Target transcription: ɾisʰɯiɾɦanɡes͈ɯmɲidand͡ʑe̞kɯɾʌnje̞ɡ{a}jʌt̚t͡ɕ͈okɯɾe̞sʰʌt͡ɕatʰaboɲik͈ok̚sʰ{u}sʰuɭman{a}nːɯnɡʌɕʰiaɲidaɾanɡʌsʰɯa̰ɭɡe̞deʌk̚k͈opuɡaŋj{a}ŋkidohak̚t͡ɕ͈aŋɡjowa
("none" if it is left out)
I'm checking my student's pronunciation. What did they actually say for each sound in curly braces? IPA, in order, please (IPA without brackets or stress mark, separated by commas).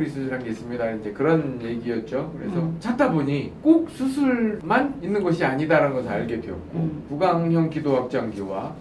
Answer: i, u, i, ʌ